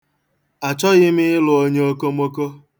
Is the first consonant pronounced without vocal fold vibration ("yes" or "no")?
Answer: yes